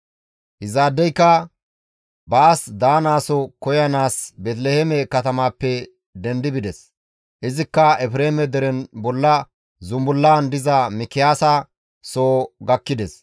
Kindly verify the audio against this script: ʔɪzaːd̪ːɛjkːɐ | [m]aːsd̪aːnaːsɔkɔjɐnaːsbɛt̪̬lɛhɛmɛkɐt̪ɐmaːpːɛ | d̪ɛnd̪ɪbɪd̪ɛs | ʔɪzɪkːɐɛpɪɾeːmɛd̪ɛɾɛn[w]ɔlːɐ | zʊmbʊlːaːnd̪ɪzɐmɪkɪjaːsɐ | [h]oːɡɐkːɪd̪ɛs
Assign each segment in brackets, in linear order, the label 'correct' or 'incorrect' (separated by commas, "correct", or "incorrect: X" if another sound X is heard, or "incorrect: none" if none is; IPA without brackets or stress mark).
incorrect: b, incorrect: b, incorrect: s